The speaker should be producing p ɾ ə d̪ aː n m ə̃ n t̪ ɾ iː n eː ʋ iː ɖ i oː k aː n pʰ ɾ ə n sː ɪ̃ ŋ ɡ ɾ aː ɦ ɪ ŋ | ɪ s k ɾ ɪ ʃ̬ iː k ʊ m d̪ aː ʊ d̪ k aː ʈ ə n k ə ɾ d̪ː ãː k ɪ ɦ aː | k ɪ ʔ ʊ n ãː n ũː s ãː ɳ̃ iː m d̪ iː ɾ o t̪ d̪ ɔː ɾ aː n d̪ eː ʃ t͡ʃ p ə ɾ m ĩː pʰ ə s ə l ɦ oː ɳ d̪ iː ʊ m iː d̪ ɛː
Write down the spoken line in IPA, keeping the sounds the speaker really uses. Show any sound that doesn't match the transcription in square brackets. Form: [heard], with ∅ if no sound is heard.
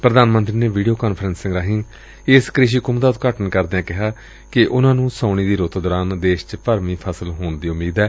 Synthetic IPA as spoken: p ɾ ə d̪ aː n m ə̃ n t̪ ɾ iː n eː ʋ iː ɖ i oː k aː n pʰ ɾ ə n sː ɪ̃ ŋ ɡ ɾ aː ɦ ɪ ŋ | ɪ s k ɾ ɪ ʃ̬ iː k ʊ m d̪ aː ʊ [t̪] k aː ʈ ə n k ə ɾ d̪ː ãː k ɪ ɦ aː | k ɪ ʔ ʊ n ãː n ũː s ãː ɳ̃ iː [∅] d̪ iː ɾ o t̪ d̪ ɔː ɾ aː n d̪ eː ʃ t͡ʃ p ə ɾ m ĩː pʰ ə s ə l ɦ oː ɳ d̪ iː ʊ m iː d̪ ɛː